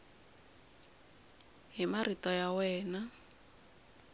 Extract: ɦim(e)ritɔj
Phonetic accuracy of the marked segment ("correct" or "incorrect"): incorrect